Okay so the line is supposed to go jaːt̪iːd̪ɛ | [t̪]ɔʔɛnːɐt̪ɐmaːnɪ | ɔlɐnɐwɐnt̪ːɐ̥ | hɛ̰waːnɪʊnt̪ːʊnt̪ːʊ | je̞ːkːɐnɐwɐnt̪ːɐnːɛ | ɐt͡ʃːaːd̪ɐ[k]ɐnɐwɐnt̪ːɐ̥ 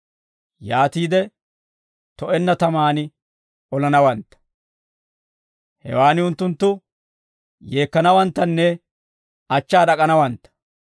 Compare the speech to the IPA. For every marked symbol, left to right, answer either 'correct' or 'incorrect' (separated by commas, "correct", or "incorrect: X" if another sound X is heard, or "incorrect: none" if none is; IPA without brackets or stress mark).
correct, incorrect: kʼ